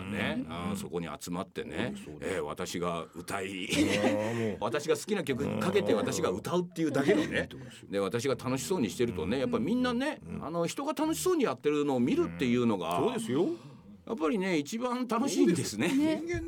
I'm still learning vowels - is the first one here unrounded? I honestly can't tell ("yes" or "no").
yes